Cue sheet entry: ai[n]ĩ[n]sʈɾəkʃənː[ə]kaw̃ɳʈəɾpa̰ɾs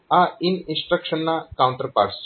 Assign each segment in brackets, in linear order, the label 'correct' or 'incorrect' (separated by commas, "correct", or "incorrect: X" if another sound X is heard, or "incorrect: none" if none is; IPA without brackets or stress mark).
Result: correct, correct, incorrect: a